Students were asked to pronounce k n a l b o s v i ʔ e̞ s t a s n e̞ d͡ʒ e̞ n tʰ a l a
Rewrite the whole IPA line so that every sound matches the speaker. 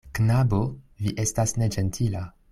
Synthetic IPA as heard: k n a b o v i ʔ e̞ s t a s n e̞ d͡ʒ e̞ n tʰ i l a